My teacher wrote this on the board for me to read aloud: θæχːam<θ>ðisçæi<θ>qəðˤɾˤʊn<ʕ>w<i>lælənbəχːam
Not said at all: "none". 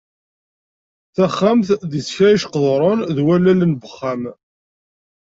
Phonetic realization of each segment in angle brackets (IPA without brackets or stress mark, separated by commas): θ, ʃ, ð, æ